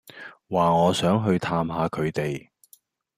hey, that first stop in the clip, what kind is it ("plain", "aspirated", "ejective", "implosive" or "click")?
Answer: aspirated